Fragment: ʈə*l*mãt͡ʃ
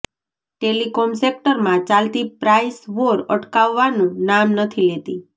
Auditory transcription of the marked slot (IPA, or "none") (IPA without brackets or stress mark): ɾ